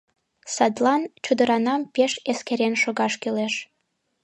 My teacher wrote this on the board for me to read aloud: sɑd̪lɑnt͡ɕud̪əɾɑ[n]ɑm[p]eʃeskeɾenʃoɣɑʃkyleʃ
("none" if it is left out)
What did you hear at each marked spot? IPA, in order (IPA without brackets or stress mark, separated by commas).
n, p